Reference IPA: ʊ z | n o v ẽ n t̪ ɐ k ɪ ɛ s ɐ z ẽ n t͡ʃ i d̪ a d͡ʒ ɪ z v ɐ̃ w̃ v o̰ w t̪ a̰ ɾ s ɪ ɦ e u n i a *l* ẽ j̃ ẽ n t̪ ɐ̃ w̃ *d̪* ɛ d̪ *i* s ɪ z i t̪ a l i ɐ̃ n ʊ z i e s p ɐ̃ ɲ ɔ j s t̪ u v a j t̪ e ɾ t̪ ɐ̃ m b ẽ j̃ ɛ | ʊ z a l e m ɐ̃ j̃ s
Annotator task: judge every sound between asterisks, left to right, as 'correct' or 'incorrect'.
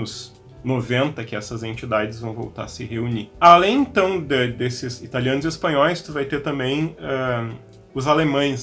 correct, correct, incorrect

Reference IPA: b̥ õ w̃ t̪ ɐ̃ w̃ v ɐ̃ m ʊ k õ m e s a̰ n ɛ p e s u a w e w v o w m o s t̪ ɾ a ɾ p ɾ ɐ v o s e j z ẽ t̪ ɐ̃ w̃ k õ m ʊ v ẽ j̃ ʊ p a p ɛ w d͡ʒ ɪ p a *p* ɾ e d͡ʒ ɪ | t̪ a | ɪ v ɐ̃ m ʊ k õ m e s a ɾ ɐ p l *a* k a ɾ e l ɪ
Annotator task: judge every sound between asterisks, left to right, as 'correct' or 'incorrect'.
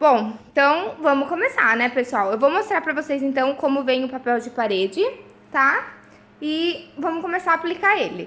incorrect, incorrect

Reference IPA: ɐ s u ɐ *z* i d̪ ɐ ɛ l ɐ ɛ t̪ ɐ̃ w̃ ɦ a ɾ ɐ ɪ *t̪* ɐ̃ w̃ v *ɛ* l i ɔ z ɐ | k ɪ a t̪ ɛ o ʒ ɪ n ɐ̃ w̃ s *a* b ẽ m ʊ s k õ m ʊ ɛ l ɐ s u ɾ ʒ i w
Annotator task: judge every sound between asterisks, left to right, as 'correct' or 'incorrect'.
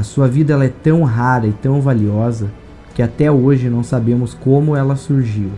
incorrect, correct, incorrect, correct

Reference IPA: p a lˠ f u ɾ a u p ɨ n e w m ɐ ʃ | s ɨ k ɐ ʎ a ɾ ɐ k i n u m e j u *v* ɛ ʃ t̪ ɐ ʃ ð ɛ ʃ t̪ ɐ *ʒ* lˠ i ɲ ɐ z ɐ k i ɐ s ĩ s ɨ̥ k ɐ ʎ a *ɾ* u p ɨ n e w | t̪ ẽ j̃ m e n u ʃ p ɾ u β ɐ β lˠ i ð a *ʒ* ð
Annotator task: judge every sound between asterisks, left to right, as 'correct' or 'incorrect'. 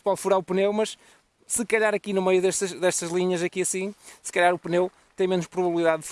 incorrect, correct, correct, incorrect

